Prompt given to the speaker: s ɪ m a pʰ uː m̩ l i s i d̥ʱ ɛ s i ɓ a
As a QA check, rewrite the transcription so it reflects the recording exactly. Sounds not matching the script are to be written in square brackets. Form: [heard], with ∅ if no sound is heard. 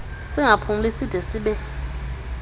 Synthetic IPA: s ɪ [ŋ] a pʰ [u] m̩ l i s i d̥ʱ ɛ s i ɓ [ɛ]

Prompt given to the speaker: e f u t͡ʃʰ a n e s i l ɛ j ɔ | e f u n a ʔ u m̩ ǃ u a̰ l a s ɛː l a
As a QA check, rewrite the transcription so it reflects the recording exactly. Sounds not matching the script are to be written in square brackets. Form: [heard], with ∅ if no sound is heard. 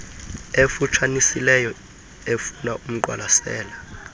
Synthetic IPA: e f u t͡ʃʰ a n [i] s i l ɛ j ɔ | e f u n a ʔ u m̩ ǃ [w] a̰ l a s ɛː l a

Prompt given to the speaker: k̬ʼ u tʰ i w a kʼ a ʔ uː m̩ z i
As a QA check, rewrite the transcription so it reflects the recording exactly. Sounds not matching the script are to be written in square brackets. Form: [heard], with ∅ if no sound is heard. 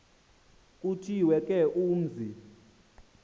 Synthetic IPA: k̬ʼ u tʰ i w [ɛ] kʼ [ɛ] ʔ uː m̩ z i

